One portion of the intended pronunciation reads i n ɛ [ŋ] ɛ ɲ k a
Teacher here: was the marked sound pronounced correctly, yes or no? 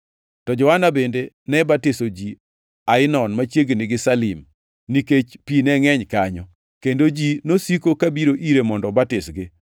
yes